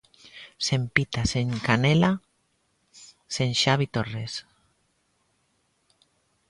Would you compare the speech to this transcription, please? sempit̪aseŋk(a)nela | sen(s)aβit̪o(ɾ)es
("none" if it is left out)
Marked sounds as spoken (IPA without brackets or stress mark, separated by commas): a, ʃ, r